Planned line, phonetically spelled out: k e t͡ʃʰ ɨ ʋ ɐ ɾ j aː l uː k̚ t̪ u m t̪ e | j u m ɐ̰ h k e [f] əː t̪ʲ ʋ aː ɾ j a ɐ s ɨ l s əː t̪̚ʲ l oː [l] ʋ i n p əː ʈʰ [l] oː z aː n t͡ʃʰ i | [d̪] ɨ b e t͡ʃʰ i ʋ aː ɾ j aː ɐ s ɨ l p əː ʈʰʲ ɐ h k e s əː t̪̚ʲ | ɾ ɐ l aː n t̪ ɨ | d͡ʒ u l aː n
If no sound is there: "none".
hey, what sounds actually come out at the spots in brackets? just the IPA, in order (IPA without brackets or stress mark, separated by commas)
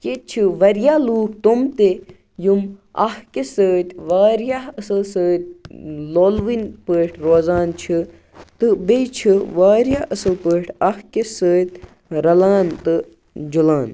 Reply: s, l, ɾ, t̪